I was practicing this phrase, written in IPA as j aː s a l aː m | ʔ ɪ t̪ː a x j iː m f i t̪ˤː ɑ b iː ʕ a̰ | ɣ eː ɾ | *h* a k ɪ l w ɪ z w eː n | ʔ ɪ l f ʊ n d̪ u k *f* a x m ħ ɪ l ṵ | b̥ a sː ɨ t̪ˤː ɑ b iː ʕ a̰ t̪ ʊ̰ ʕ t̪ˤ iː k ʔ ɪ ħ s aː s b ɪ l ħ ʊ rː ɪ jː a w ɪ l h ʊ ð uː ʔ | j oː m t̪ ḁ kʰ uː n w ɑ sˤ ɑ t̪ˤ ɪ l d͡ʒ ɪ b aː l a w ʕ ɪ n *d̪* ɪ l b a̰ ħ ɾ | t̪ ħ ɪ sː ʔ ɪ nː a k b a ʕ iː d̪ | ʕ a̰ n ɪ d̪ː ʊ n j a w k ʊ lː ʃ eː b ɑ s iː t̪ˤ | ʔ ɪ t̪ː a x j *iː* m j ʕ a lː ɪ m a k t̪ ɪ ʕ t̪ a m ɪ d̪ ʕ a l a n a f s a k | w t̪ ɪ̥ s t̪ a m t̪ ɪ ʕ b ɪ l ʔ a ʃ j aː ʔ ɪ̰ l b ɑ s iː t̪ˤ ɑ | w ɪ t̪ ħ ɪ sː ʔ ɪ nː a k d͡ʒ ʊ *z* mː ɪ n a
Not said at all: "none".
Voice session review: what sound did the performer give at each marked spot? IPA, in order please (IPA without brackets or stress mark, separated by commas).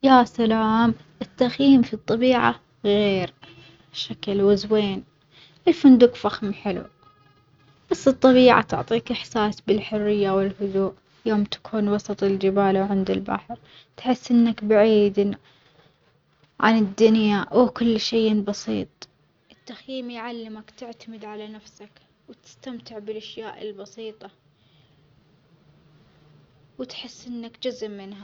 ʃ, f, d̪, iː, z